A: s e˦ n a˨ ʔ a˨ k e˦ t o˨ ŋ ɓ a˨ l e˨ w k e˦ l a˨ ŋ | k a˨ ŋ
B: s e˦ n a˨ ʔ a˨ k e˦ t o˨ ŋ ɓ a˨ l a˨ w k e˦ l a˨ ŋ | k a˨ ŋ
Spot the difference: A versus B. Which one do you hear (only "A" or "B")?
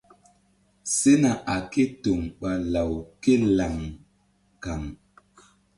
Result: B